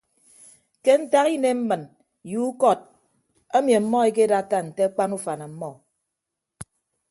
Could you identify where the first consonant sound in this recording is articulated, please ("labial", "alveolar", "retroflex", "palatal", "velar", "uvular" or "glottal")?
velar